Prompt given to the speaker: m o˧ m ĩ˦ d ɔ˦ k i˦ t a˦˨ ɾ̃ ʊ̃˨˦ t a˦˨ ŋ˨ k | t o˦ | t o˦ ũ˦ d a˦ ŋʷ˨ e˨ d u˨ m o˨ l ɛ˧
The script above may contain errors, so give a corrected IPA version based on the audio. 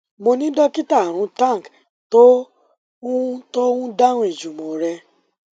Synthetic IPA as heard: m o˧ n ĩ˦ d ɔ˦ k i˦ t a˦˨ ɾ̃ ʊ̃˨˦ t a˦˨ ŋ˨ k | t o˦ | t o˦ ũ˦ d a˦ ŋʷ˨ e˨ d͡ʒ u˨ m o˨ ɾ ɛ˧